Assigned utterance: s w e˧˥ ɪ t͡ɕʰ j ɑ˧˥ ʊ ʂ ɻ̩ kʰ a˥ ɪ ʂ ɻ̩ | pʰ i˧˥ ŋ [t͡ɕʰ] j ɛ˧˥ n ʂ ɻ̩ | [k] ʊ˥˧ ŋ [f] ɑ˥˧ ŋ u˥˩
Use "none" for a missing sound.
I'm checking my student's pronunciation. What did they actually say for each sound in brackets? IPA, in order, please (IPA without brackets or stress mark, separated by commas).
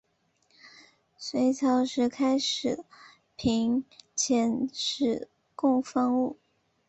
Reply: t͡ɕʰ, k, f